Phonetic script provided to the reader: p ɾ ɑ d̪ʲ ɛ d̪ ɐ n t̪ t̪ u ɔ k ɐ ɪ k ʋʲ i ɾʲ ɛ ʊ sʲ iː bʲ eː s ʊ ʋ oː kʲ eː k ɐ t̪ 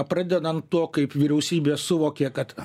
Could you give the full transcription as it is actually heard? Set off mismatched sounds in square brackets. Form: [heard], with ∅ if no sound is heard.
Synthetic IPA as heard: p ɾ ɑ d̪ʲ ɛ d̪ ɐ n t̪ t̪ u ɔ k ɐ ɪ [p] ʋʲ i ɾʲ ɛ ʊ sʲ iː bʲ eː s ʊ ʋ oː kʲ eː k ɐ t̪